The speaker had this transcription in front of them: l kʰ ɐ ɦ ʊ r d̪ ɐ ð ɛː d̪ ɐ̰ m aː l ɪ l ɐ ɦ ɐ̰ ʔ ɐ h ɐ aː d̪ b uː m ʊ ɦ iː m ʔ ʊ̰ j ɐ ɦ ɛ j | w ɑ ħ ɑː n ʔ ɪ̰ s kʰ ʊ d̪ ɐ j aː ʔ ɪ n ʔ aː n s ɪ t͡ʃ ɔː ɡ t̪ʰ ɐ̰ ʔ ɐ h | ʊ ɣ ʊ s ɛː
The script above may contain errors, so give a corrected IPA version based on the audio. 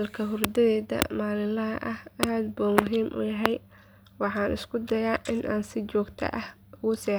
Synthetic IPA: l kʰ ɐ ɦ ʊ r d̪ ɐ ð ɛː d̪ ɐ̰ m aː l ɪ l ɐ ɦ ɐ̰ ʔ ɐ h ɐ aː d̪ b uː m ʊ ɦ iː m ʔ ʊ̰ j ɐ ɦ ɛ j | w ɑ ħ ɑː n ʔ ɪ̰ s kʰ ʊ d̪ ɐ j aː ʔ ɪ n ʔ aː n s ɪ t͡ʃ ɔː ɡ t̪ʰ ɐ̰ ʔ ɐ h | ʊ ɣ ʊ s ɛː